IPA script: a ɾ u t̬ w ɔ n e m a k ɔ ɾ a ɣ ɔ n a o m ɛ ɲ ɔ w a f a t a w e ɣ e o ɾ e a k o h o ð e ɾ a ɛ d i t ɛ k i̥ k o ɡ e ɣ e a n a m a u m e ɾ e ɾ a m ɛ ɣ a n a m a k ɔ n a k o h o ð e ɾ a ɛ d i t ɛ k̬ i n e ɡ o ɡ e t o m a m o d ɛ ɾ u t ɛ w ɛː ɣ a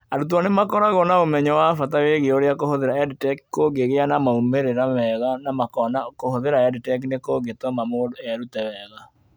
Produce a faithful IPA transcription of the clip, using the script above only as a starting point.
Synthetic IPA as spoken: a ɾ u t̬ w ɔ n e m a k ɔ ɾ a ɣ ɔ n a o m ɛ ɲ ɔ w a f a t a w e ɣ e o ɾ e a k o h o ð e ɾ a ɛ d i t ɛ k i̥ k o ɡ e ɣ e a n a m a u m e ɾ e ɾ a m ɛ ɣ a n a m a k ɔ n a k o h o ð e ɾ a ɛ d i t ɛ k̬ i n e k o ɡ e t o m a m o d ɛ ɾ u t ɛ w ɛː ɣ a